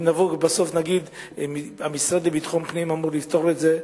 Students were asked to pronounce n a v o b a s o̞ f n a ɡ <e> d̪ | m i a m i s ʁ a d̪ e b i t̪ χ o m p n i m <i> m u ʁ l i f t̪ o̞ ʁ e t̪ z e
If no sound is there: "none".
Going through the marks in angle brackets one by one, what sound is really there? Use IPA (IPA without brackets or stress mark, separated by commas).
i, a